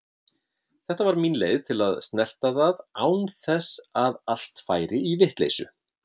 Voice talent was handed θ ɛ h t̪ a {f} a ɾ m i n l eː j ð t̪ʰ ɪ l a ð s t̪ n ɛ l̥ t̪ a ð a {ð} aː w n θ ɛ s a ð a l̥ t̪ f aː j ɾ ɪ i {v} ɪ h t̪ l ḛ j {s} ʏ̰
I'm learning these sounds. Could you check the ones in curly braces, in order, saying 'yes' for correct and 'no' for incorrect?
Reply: no, yes, yes, yes

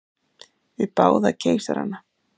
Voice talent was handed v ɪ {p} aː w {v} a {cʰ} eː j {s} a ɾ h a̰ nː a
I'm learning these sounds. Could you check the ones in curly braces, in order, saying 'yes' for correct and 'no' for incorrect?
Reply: yes, no, yes, yes

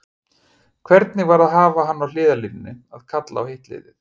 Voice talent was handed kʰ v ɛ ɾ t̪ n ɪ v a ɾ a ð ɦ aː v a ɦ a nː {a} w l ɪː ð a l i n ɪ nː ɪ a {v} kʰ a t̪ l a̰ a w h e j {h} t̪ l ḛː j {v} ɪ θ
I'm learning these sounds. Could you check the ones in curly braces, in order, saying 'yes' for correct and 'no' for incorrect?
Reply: yes, no, yes, no

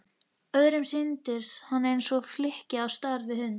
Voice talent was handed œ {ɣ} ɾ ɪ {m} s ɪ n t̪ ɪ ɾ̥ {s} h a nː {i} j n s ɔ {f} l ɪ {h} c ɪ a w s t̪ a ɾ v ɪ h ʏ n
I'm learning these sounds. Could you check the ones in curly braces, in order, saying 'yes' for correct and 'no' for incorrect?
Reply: no, yes, yes, no, yes, yes

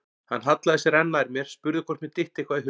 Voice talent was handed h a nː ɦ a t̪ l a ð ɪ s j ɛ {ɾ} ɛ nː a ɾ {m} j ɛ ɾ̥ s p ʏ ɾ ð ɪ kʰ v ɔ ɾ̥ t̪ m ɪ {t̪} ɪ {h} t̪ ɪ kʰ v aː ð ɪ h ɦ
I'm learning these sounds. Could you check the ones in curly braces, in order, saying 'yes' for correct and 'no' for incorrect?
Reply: yes, yes, yes, yes

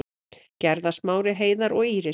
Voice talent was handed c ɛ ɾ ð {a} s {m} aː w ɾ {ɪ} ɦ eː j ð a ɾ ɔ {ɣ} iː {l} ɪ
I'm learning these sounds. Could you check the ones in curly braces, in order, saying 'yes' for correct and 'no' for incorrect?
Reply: yes, yes, yes, yes, no

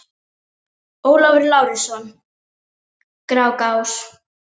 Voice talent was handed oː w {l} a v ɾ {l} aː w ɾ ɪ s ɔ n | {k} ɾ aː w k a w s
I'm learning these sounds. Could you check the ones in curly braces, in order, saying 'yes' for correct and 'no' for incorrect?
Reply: yes, yes, yes

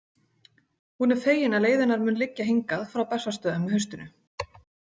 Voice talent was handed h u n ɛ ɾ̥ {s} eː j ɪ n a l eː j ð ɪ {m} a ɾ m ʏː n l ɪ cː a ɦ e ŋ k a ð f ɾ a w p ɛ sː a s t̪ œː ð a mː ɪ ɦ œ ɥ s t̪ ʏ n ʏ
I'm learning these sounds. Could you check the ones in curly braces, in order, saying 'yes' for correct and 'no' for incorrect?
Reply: no, no

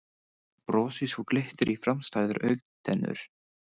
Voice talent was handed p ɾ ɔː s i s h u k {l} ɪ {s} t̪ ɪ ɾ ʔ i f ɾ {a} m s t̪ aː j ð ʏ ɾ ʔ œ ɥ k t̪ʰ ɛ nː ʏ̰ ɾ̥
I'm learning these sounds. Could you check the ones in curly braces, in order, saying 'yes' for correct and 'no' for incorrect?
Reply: yes, no, yes

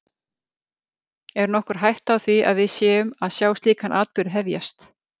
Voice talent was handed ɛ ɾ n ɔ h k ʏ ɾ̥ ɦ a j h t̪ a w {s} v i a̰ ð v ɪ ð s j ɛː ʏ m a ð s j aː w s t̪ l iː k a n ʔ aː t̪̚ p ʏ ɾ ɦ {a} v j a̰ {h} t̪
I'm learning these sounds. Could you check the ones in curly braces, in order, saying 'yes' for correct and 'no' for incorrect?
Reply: no, no, no

